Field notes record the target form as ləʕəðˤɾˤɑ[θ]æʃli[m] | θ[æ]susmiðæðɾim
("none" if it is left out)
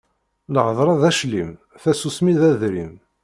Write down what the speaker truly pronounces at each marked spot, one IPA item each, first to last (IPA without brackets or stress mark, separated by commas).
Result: ð, m, æ